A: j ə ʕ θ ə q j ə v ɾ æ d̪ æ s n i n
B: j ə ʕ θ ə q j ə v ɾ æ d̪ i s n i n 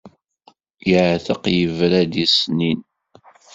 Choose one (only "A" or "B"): B